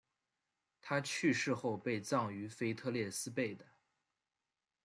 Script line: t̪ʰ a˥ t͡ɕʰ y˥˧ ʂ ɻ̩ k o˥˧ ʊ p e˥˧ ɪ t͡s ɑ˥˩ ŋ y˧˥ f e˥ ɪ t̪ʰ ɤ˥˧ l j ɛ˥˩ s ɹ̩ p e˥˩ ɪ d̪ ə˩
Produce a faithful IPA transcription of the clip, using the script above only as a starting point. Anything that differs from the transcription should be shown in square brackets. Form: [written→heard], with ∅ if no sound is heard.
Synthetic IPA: t̪ʰ a˥ t͡ɕʰ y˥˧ ʂ ɻ̩ [k→x] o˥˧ ʊ p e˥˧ ɪ t͡s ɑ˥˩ ŋ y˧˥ f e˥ ɪ t̪ʰ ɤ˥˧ l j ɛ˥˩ s ɹ̩ p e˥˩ ɪ d̪ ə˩